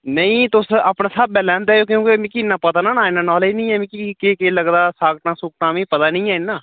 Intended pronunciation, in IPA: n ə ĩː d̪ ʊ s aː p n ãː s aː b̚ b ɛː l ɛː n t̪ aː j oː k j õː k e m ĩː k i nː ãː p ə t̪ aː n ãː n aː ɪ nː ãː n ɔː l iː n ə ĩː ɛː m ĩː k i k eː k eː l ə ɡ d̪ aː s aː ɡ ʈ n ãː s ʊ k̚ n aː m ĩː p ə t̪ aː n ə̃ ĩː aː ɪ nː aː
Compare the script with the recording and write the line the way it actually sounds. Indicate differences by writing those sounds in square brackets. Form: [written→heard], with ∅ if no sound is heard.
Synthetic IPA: n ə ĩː [d̪→t̪] ʊ s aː p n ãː s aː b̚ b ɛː l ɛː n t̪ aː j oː k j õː k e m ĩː k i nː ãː p ə t̪ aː n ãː n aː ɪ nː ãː n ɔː l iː n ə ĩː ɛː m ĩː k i k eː k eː l ə ɡ d̪ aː s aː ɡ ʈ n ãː s ʊ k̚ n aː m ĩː p ə t̪ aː n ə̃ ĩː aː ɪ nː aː